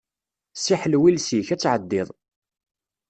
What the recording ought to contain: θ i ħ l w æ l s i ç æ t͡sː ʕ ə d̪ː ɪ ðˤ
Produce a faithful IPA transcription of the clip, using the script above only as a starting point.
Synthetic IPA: s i ħ l w i l s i ç æ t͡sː ʕ ə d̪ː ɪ ðˤ